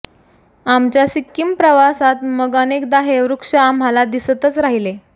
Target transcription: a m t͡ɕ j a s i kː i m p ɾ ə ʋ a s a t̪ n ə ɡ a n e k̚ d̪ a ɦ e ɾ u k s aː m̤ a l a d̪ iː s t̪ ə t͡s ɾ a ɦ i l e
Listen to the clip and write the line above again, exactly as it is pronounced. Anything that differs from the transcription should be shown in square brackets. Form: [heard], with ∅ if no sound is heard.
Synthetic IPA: a m t͡ɕ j a s i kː i m p ɾ ə ʋ a s a t̪ [m] ə ɡ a n e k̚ d̪ a ɦ e ɾ u k [ʂ] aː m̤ a l a d̪ [i] s t̪ ə t͡s ɾ a ɦ i l e